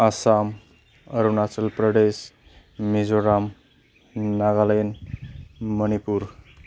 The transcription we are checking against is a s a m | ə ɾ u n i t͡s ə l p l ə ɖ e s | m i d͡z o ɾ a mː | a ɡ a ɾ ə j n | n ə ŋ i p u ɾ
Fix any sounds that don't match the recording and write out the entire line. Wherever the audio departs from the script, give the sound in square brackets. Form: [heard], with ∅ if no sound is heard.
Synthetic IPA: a s a m | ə ɾ u n [a] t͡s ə l p [ɾ] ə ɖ e s | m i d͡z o ɾ a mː | a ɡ a [l] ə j n | [m] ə [n] i p u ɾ

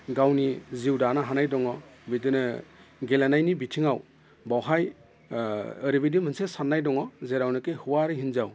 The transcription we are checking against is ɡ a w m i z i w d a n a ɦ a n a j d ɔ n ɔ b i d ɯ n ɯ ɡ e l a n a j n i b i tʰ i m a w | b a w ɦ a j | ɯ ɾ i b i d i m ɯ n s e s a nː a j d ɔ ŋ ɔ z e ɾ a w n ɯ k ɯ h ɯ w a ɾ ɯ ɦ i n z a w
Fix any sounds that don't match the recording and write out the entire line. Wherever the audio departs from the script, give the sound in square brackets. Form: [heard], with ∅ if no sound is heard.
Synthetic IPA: ɡ a w [n] i z i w d a n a ɦ a n a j d ɔ [ŋ] ɔ b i d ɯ n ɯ ɡ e l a n a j n i b i tʰ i [ŋ] a w | b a w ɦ a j | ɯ ɾ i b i d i m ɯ n s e s a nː a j d ɔ ŋ ɔ z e ɾ a w n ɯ k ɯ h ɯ w a ɾ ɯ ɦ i n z a w

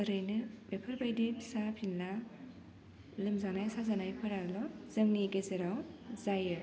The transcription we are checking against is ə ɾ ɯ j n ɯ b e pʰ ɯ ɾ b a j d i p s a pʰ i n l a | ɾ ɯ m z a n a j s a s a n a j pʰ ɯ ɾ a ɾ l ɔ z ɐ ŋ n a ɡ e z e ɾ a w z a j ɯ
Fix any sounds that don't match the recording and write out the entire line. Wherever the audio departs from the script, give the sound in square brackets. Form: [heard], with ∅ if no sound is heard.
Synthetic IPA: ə ɾ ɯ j n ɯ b e pʰ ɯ ɾ b a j d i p s a pʰ i n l a | [l] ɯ m z a n a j s a [z] a n a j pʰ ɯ ɾ a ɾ l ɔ z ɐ ŋ n [i] ɡ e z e ɾ a w z a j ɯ

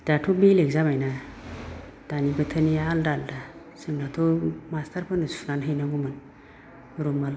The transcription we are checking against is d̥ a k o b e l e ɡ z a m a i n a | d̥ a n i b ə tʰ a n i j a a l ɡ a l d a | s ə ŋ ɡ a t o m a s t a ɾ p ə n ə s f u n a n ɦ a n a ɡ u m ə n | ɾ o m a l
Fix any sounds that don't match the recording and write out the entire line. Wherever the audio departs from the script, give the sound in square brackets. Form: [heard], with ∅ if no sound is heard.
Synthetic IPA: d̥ a [t] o b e l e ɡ z a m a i n a | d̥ a n i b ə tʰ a n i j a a l [d] a l d a | s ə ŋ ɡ a t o m a s t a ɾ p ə n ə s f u n a n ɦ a n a ɡ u m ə n | ɾ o m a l

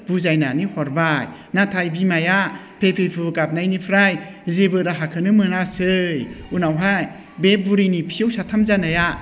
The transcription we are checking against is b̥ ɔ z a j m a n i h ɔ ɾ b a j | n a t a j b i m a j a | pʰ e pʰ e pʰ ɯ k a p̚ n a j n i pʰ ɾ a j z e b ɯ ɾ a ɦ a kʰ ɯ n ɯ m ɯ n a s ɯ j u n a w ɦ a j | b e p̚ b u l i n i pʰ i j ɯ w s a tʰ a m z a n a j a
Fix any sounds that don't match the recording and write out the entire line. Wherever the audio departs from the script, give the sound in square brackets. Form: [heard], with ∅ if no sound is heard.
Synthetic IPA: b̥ [u] z a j [n] a n i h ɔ ɾ b a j | n a [tʰ] a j b i m a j a | pʰ e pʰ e pʰ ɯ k a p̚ n a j n i pʰ ɾ a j z e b ɯ ɾ a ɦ a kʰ ɯ n ɯ m ɯ n a s ɯ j u n a w ɦ a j | b e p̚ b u [ɾ] i n i pʰ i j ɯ w s a tʰ a m z a n a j a

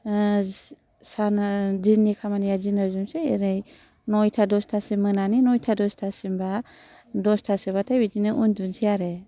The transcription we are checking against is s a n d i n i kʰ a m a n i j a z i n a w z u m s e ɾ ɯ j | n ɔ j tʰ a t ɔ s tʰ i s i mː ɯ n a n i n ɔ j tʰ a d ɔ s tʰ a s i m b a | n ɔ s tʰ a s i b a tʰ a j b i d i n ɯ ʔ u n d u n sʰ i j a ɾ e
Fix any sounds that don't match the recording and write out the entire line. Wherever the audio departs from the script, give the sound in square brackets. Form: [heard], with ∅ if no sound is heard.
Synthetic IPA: s a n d i n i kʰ a m a n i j a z i n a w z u m s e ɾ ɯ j | n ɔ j tʰ a [d] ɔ s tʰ [a] s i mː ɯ n a n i n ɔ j tʰ a d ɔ s tʰ a s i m b a | [d] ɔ s tʰ a s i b a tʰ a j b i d i n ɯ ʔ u n d u n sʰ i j a ɾ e

